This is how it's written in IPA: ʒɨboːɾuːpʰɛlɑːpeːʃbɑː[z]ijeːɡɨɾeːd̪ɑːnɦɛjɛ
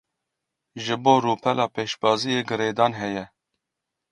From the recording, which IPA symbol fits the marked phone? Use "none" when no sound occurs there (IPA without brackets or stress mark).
z